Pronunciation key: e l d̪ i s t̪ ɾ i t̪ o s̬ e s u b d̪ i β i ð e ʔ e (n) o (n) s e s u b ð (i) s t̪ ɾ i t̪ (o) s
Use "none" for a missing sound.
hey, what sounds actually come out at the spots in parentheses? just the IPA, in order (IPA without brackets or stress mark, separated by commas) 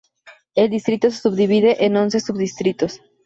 n, n, i, o